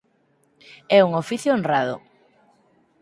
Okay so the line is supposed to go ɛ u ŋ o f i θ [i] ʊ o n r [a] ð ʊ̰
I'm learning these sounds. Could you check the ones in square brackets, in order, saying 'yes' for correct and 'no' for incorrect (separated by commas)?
no, yes